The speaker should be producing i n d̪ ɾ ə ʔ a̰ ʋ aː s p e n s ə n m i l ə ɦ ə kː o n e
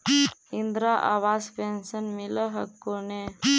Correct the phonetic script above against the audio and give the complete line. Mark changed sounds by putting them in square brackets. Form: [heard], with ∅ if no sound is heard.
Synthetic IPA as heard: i n d̪ ɾ [a] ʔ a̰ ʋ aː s p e n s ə n m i l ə ɦ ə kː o n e